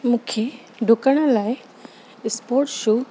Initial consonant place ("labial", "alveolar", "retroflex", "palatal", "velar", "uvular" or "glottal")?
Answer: labial